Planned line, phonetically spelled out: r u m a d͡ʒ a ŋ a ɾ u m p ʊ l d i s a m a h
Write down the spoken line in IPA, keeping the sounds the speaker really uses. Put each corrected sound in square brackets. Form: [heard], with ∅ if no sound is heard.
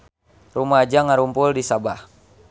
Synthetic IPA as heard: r u m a d͡ʒ a ŋ a ɾ u m p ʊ l d i s a [b] a h